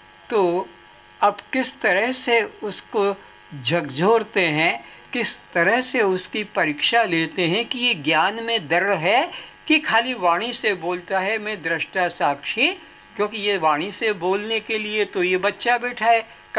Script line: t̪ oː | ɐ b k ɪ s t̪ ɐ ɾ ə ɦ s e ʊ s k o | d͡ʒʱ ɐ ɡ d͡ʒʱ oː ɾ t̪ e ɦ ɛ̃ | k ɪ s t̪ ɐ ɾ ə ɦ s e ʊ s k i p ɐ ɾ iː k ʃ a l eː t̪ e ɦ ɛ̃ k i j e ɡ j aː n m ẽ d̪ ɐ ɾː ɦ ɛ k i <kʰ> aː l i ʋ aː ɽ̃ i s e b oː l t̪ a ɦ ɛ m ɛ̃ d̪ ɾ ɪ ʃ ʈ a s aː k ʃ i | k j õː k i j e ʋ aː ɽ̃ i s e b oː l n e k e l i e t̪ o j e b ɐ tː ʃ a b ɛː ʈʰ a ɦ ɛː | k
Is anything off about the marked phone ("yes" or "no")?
no